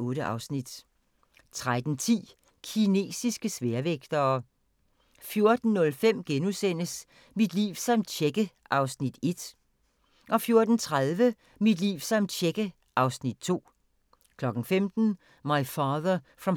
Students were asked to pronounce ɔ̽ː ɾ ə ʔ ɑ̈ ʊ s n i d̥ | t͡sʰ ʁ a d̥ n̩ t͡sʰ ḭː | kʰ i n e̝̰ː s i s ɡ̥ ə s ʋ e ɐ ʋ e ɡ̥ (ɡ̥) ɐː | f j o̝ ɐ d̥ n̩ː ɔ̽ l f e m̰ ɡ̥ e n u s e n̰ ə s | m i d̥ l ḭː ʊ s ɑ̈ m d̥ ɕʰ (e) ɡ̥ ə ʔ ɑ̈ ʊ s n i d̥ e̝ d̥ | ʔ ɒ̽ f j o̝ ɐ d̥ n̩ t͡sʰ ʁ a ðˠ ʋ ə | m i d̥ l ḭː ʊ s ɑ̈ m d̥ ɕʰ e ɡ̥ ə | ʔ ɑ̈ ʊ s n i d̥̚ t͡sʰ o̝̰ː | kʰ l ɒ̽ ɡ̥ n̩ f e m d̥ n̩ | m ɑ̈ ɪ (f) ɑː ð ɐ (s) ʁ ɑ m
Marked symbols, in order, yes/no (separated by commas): no, yes, yes, no